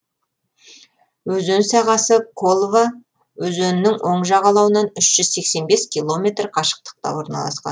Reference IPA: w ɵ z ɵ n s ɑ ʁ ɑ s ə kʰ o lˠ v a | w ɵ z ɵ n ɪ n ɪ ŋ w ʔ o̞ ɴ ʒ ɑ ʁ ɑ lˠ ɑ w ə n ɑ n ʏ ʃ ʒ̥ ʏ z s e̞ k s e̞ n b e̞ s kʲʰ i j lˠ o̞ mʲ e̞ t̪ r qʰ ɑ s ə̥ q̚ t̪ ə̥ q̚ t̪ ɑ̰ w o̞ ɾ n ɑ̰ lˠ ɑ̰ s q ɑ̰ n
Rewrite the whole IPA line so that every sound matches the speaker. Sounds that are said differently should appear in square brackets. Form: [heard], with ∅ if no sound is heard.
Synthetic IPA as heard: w ɵ z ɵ n s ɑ ʁ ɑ s ə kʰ o lˠ v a | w ɵ z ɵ n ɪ n ɪ ŋ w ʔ o̞ ɴ ʒ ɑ ʁ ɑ lˠ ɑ w ə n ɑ n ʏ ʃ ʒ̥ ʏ z s e̞ k s e̞ n b e̞ s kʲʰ i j lˠ o̞ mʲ e̞ t̪ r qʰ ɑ [ʃ] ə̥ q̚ t̪ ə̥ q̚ t̪ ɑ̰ w o̞ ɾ n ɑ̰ lˠ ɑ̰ s q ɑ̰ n

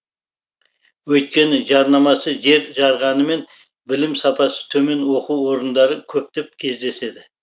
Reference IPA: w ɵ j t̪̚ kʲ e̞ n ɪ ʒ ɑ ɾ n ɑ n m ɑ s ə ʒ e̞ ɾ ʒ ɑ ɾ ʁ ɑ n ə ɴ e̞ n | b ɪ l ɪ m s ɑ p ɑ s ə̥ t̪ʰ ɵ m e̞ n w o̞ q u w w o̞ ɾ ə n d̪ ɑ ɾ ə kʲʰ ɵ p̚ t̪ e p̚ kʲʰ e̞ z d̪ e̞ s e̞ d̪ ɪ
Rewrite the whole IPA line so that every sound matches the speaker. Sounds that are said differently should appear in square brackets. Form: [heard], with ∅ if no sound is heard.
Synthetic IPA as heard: w ɵ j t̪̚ kʲ e̞ n ɪ ʒ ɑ ɾ n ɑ [∅] m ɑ s ə ʒ e̞ ɾ ʒ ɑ ɾ ʁ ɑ n ə [m] e̞ n | b ɪ l ɪ m s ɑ p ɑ s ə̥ t̪ʰ ɵ m e̞ n w o̞ q u w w o̞ ɾ ə n d̪ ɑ ɾ ə kʲʰ ɵ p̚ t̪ e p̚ kʲʰ e̞ z d̪ e̞ s e̞ d̪ ɪ

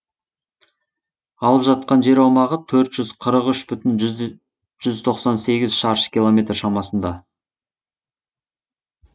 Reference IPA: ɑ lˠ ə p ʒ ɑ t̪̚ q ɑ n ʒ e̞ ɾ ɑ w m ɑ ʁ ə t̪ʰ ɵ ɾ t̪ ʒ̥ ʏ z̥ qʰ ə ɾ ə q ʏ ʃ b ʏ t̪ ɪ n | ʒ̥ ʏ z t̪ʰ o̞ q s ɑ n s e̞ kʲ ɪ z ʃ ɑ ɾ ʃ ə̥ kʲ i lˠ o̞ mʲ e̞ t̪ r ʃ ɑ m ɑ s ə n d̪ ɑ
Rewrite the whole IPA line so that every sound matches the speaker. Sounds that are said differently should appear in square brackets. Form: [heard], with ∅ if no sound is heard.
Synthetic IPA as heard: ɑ lˠ ə p ʒ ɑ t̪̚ q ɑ n ʒ e̞ ɾ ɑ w m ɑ ʁ ə t̪ʰ ɵ ɾ t̪ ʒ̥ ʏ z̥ qʰ ə ɾ ə q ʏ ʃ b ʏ t̪ ɪ n | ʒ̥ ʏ z t̪ʰ o̞ q s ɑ n s e̞ [ɡʲ] ɪ z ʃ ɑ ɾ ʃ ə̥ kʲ i lˠ o̞ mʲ e̞ t̪ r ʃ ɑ m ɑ s ə n d̪ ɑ

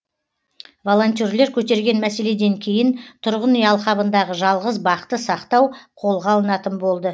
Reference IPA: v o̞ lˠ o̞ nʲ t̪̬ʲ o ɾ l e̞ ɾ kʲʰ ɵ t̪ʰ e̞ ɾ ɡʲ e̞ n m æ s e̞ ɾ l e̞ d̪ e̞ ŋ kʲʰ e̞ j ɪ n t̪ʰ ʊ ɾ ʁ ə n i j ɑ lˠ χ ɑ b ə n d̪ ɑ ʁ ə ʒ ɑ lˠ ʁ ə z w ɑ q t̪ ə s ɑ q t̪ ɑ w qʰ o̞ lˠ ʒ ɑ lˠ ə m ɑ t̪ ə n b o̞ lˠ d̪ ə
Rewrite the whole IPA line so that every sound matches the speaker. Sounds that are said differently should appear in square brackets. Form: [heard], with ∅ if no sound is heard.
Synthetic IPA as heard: v o̞ lˠ o̞ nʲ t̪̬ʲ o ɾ l e̞ ɾ kʲʰ ɵ [t̪] e̞ ɾ ɡʲ e̞ n m æ s e̞ [∅] l e̞ d̪ e̞ ŋ kʲʰ e̞ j ɪ n t̪ʰ ʊ ɾ ʁ ə n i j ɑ lˠ χ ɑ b ə n d̪ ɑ ʁ ə ʒ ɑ lˠ ʁ ə z [b] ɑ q t̪ ə s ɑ q t̪ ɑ w qʰ o̞ lˠ [ʁ] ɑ lˠ ə [n] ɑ t̪ ə n b o̞ lˠ d̪ ə

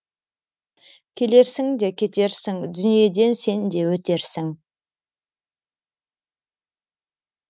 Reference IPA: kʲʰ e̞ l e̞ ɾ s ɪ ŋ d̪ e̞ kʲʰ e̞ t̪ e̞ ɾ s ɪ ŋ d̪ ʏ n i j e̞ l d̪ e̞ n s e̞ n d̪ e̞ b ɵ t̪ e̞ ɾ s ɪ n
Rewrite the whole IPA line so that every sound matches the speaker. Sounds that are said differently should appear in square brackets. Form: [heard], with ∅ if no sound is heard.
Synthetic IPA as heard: kʲʰ e̞ l e̞ ɾ s ɪ ŋ d̪ e̞ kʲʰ e̞ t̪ e̞ ɾ s ɪ ŋ d̪ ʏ n i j e̞ [∅] d̪ e̞ n s e̞ n d̪ e̞ [w] ɵ t̪ e̞ ɾ s ɪ [ŋ]

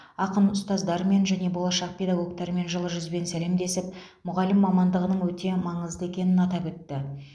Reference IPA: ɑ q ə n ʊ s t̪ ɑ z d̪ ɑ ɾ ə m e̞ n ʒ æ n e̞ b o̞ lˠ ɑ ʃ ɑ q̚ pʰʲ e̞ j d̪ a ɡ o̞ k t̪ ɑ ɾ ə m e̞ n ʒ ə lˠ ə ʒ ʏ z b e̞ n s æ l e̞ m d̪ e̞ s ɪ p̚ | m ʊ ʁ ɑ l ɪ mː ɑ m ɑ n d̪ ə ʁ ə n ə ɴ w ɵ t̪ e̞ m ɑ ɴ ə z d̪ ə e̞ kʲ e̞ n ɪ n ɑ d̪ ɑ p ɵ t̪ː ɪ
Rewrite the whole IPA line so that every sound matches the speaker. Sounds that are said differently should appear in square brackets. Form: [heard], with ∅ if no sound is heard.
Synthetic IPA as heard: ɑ q ə n ʊ s t̪ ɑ z d̪ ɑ ɾ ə m e̞ n ʒ æ n e̞ b o̞ lˠ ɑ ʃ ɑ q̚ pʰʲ e̞ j d̪ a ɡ o̞ k t̪ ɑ ɾ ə m e̞ n ʒ ə lˠ ə ʒ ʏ z b e̞ n s æ l e̞ m d̪ e̞ s ɪ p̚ | m ʊ ʁ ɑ l ɪ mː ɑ m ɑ n d̪ ə ʁ ə n ə ɴ w ɵ t̪ e̞ m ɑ ɴ ə z d̪ ə e̞ kʲ e̞ n ɪ n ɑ [t̪] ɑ p ɵ t̪ː ɪ

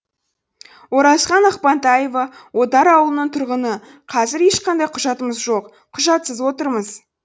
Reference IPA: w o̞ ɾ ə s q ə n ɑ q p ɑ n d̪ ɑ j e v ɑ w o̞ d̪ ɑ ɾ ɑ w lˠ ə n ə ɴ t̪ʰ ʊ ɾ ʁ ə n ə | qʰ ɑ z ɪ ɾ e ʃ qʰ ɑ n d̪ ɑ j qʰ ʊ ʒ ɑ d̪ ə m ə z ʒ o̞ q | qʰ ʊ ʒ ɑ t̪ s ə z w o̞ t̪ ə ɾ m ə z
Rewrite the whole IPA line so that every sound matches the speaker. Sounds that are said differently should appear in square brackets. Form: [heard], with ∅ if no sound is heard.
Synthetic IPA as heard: w o̞ ɾ [ɑ] s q [ɑ] n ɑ q p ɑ n [t̪] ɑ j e v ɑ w o̞ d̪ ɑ ɾ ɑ w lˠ ə n ə ɴ t̪ʰ ʊ ɾ ʁ ə n ə | qʰ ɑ z ɪ ɾ e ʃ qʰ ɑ n d̪ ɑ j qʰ ʊ ʒ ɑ [t̪] ə m ə z ʒ o̞ q | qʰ ʊ ʒ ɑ t̪ s ə z w o̞ t̪ ə ɾ m ə z

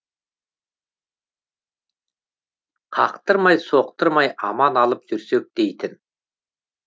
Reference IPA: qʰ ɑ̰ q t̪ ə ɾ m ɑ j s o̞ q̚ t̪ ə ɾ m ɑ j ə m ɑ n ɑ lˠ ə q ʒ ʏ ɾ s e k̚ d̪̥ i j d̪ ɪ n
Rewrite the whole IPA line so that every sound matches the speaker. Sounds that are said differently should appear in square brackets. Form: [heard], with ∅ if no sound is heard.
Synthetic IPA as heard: qʰ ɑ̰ q t̪ ə ɾ m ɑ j s o̞ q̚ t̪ ə ɾ m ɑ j [ɑ] m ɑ n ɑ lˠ ə [p] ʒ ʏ ɾ s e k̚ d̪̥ [e] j [t̪] ɪ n

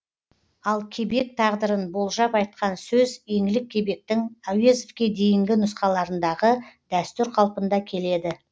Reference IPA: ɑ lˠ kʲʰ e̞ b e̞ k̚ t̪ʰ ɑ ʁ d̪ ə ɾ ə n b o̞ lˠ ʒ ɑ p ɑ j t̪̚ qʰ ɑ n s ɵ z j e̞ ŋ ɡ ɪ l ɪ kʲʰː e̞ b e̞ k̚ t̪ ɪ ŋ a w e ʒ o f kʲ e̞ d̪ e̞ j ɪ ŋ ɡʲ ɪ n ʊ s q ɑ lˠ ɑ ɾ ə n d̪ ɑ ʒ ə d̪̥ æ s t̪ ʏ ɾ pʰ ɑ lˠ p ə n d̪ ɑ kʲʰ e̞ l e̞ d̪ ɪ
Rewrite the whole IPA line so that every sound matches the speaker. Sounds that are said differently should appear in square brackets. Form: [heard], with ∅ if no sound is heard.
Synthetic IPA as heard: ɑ lˠ kʲʰ e̞ b e̞ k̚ t̪ʰ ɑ ʁ d̪ ə ɾ ə n b o̞ lˠ ʒ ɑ p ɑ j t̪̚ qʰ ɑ n s ɵ z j e̞ ŋ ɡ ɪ l ɪ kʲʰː e̞ b e̞ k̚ t̪ ɪ ŋ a w e [z] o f kʲ e̞ d̪ e̞ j ɪ ŋ ɡʲ ɪ n ʊ s q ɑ lˠ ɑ ɾ ə n d̪ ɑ [ʁ] ə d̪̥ æ s t̪ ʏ ɾ [qʰ] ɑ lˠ p ə n d̪ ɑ kʲʰ e̞ l e̞ d̪ ɪ

